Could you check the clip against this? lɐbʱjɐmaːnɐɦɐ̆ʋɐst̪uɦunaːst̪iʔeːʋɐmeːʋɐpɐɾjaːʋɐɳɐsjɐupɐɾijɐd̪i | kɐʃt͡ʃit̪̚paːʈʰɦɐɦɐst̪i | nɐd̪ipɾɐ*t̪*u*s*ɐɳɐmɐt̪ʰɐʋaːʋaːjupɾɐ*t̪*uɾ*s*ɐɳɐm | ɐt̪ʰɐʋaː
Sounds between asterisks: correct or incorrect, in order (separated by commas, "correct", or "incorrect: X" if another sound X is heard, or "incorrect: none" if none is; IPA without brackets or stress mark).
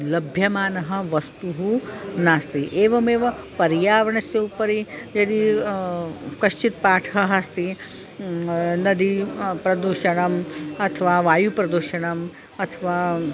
incorrect: d̪, incorrect: ʃ, incorrect: d̪, incorrect: ʃ